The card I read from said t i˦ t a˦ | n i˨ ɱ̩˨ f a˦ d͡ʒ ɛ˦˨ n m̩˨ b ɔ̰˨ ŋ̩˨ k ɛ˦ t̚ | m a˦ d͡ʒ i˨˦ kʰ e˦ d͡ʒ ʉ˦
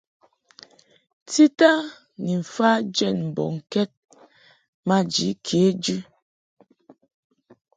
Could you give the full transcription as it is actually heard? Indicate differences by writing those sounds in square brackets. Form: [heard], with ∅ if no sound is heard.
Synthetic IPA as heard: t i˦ t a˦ | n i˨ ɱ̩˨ f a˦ d͡ʒ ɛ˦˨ n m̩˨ b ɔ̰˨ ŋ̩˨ k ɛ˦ t̚ | m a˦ d͡ʒ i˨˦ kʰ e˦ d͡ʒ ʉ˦